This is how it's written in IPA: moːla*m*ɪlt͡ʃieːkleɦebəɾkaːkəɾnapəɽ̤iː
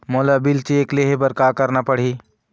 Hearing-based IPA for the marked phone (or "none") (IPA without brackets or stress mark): b